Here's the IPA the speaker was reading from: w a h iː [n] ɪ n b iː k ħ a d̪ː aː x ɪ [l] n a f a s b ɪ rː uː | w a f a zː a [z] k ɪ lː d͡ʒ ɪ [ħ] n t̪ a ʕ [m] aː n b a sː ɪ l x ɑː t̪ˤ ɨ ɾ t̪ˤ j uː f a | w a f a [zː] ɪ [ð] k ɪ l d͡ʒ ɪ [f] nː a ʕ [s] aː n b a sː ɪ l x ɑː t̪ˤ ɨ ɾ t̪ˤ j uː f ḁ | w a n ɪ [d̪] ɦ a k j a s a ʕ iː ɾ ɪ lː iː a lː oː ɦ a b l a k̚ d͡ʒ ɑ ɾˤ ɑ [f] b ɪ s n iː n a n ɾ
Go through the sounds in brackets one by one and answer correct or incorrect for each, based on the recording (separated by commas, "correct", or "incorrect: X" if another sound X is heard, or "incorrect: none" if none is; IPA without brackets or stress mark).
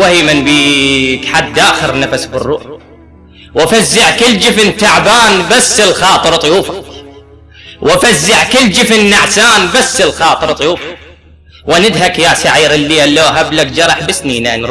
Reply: incorrect: m, incorrect: ɾ, incorrect: ʕ, incorrect: f, incorrect: b, correct, incorrect: ʕ, correct, correct, correct, incorrect: ħ